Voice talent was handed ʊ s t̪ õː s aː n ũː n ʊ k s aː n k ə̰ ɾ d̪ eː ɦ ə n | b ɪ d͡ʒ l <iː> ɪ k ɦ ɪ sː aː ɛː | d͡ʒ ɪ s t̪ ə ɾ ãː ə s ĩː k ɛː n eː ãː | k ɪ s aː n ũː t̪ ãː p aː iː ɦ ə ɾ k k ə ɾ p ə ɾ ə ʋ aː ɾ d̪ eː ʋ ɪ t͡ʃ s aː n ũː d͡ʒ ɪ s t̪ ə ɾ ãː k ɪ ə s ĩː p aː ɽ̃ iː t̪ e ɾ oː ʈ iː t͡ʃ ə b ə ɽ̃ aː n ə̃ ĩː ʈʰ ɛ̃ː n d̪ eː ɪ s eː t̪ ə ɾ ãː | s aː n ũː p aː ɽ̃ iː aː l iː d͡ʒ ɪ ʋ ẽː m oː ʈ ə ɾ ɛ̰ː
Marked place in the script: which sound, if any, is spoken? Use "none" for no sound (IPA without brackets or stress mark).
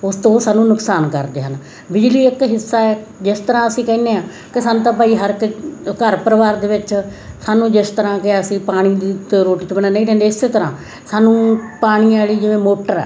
iː